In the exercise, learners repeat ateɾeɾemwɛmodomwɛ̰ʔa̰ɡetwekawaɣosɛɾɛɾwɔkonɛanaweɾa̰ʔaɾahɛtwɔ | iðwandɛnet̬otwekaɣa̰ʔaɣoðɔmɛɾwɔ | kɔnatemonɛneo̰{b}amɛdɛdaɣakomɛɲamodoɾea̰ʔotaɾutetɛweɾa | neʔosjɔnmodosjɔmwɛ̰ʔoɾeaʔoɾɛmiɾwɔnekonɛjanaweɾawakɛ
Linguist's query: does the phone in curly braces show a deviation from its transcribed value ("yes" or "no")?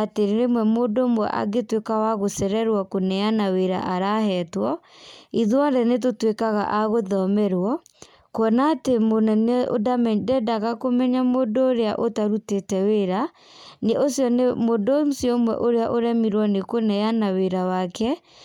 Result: yes